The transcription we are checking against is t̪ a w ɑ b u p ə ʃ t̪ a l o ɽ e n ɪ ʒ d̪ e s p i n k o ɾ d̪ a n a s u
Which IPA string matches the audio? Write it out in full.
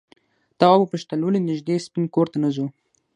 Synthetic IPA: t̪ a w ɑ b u p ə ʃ t̪ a l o l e n ɪ ʒ d̪ e s p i n k o ɾ t̪ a n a z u